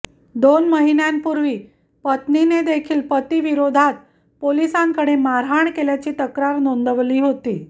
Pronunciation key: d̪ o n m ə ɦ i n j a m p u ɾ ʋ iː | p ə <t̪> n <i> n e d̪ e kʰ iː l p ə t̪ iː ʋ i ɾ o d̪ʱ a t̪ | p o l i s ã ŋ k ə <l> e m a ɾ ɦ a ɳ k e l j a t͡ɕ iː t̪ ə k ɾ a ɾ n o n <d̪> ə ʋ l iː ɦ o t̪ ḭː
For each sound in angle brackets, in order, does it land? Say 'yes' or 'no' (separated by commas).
yes, yes, no, yes